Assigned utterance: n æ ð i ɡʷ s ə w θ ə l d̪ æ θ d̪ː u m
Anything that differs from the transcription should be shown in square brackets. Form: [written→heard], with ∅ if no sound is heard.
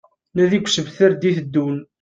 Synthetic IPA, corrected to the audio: n æ ð i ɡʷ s ə [w→v] θ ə [l→ɾ] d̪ [æ→i] θ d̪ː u [m→n]